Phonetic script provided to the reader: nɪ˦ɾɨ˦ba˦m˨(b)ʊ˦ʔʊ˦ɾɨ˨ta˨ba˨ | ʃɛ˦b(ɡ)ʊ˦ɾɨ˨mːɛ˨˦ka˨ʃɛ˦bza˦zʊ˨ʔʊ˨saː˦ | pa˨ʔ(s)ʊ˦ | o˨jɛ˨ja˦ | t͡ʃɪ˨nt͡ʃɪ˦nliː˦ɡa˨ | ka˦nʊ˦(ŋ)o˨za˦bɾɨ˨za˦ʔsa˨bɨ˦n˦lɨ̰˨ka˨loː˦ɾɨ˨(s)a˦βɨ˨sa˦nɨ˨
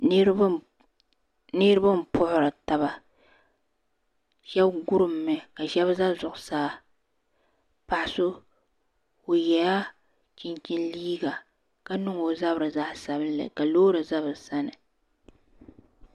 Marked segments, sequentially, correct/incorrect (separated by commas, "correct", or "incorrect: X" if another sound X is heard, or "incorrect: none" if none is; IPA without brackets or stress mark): incorrect: p, correct, correct, correct, incorrect: z